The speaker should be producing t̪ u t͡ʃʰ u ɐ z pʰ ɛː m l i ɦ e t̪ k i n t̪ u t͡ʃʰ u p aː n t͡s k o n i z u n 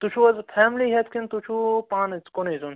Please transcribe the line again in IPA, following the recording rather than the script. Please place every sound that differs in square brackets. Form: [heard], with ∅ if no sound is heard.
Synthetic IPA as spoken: t̪ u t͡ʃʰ u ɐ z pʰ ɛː m l i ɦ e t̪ k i n t̪ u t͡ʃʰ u p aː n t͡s k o n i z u n

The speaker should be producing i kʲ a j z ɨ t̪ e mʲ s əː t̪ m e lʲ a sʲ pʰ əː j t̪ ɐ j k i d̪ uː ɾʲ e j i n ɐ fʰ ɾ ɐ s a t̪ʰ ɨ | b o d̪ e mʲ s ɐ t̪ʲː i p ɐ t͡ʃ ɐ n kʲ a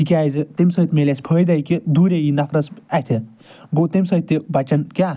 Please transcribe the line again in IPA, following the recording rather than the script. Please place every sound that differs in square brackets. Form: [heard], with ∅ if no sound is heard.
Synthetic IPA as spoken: i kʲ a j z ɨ t̪ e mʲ s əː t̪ m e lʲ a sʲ pʰ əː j [d̪] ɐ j k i d̪ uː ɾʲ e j i n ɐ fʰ ɾ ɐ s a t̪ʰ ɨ | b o [t̪] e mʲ s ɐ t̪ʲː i [b] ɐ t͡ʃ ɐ n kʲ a

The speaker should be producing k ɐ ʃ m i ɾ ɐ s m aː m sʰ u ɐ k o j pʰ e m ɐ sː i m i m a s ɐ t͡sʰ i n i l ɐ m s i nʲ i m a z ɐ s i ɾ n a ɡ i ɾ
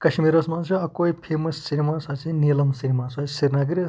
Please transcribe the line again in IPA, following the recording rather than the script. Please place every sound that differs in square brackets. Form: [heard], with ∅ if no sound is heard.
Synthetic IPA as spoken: k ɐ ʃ m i ɾ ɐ s m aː [n] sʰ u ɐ k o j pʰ e m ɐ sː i [n] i m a s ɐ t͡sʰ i n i l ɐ m s i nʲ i m a [s] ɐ s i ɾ n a ɡ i ɾ

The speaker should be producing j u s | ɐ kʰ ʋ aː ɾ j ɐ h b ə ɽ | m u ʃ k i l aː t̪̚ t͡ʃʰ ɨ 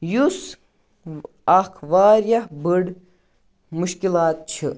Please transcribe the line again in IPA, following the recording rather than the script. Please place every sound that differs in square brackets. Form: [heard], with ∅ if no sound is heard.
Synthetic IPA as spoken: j u s | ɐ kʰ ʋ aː ɾ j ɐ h b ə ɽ | m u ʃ k i l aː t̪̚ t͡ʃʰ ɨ

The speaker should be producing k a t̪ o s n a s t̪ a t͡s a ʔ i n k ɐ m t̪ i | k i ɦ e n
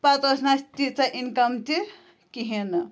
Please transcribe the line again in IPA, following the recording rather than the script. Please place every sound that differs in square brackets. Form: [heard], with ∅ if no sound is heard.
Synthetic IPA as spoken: [p] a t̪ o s n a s t̪ [i] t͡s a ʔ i n k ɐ m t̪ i | k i ɦ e n

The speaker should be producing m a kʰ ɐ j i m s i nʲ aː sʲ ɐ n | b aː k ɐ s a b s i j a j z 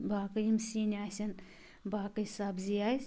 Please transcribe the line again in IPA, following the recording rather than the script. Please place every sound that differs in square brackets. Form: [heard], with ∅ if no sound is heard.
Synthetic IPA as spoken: [b] a [k] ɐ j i m s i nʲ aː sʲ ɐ n | b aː k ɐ s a b [z] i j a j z

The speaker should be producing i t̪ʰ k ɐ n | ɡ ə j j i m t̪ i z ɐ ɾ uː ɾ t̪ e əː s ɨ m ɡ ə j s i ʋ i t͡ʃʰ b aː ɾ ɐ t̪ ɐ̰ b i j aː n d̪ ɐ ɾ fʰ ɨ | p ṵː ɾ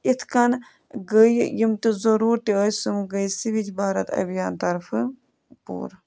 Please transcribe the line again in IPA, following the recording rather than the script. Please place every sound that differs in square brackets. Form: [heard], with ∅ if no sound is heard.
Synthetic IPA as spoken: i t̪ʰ k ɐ n | ɡ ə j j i m t̪ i z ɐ ɾ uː ɾ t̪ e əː s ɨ m ɡ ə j s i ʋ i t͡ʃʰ b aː ɾ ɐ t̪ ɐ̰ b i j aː n [t̪] ɐ ɾ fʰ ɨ | p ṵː ɾ

